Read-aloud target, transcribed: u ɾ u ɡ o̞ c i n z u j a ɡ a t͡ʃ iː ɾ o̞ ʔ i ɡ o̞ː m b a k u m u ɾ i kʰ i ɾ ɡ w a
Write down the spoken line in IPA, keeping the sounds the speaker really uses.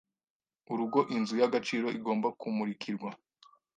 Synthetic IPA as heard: u ɾ u ɡ o̞ ʔ i n z u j a ɡ a t͡ʃ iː ɾ o̞ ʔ i ɡ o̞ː m b a k u m u ɾ i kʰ i ɾ ɡ w a